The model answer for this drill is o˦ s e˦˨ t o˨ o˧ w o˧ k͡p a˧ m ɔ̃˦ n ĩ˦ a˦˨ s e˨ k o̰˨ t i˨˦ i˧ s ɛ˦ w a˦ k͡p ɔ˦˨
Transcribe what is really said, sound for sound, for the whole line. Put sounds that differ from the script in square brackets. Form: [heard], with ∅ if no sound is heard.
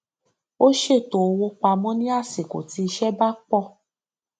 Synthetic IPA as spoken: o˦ [ʃ] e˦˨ t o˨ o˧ w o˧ k͡p a˧ m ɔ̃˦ n ĩ˦ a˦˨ s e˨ k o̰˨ t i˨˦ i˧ [ʃ] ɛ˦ [b] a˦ k͡p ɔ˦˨